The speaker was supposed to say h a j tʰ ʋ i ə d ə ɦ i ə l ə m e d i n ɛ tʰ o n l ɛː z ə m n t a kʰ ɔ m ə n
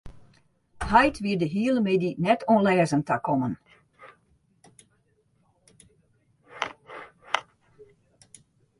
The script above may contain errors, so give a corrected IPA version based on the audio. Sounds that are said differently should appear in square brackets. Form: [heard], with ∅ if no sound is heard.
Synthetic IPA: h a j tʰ ʋ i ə d ə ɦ i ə l ə m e d i n ɛ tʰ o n l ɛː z ə [∅] n t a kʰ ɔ m ə n